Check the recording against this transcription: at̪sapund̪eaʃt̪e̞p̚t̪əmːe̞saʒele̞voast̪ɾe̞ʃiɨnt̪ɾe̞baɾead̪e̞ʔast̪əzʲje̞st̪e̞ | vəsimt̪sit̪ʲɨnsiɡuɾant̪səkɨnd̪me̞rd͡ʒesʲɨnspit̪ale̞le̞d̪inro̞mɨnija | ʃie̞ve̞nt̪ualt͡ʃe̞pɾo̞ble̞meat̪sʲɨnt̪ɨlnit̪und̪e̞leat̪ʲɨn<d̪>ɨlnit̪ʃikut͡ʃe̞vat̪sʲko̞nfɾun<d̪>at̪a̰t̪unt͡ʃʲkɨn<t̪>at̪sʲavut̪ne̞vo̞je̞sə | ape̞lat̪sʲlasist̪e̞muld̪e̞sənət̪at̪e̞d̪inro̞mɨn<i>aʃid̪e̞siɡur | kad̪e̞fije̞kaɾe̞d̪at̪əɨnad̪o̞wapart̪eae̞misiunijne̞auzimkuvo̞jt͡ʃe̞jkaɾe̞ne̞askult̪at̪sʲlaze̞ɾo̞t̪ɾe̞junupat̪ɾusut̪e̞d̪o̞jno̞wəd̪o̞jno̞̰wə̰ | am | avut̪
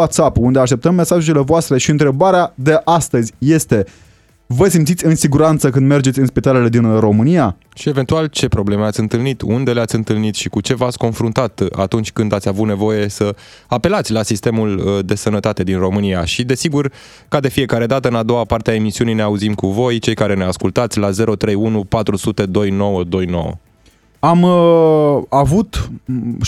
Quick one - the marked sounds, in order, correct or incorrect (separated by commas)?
incorrect, incorrect, incorrect, correct